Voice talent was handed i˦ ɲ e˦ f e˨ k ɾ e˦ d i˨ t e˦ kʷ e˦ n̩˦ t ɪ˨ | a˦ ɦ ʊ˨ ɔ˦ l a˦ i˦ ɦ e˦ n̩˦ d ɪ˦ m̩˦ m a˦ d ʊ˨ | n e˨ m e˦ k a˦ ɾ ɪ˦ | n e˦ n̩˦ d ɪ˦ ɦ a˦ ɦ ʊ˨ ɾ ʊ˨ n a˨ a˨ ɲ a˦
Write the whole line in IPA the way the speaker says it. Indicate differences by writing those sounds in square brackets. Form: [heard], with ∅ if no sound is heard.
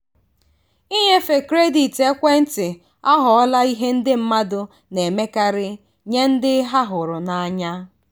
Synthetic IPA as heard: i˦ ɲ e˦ f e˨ k ɾ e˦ d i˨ t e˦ kʷ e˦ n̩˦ t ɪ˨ | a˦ ɦ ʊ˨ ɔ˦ l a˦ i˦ ɦ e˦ n̩˦ d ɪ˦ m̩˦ m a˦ d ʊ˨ | n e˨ m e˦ k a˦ ɾ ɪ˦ | [ɲ] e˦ n̩˦ d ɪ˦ ɦ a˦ ɦ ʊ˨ ɾ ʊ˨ n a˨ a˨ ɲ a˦